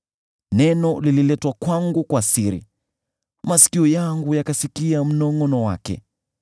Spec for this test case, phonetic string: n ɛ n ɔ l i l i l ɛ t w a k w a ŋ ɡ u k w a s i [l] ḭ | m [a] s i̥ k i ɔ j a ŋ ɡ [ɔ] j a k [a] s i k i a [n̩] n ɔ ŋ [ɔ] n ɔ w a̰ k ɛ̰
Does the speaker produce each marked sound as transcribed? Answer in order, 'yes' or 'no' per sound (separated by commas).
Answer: no, yes, no, yes, no, yes